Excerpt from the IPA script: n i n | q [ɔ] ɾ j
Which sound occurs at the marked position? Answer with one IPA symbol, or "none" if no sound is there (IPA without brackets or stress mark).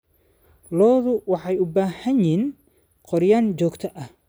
ɔ